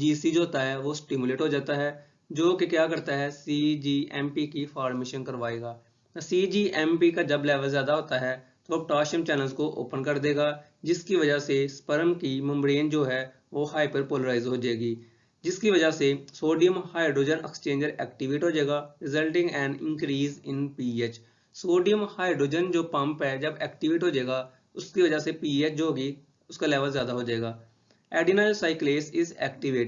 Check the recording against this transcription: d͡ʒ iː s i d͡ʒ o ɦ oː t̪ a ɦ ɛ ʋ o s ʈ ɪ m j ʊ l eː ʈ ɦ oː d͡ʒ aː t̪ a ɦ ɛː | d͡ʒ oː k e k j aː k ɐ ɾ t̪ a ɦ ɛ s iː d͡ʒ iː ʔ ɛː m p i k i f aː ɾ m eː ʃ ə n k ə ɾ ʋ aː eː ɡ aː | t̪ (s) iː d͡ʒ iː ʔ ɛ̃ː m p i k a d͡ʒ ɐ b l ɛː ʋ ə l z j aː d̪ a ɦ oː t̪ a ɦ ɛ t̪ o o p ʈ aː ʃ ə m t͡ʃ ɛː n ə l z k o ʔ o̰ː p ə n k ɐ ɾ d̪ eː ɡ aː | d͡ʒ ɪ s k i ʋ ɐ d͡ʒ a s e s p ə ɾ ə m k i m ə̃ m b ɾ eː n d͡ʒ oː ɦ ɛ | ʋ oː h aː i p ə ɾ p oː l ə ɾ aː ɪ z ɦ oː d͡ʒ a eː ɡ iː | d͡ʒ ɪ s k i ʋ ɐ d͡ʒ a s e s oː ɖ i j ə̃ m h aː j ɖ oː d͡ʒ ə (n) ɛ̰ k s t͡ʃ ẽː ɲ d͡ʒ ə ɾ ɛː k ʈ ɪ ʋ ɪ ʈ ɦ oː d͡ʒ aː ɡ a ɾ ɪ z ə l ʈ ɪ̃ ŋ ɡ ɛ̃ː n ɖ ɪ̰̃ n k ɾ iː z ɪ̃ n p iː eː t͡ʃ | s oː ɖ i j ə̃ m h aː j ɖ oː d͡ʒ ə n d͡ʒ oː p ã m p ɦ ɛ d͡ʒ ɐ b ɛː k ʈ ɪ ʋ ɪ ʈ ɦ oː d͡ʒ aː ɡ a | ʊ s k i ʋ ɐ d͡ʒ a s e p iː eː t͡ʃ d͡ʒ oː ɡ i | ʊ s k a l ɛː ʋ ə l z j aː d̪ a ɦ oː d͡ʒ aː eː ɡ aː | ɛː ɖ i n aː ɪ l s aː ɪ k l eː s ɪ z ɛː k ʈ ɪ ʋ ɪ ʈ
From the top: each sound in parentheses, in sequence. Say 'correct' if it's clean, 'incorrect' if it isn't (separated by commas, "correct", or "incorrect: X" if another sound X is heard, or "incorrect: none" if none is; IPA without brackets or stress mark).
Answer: correct, correct